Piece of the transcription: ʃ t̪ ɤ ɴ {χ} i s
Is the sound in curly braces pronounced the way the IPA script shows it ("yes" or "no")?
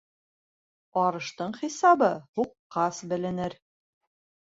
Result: yes